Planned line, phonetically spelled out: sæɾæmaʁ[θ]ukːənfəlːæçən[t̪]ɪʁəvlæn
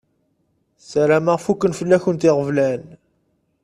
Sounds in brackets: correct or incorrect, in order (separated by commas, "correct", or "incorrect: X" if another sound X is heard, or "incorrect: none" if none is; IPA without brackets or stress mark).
incorrect: f, correct